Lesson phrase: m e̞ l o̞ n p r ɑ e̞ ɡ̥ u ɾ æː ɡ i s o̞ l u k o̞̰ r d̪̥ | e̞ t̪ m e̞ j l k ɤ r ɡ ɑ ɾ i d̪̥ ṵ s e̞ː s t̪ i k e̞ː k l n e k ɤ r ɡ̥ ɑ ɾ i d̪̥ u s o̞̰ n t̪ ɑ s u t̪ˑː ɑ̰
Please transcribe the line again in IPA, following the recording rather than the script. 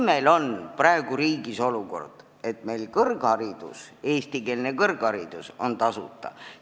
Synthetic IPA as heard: m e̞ l o̞ n p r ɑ e̞ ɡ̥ u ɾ iː ɡ i s o̞ l u k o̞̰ r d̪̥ | e̞ t̪ m e̞ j l k ɤ r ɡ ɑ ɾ i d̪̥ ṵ s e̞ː s t̪ i k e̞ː l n e k ɤ r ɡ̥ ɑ ɾ i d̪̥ u s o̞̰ n t̪ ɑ s u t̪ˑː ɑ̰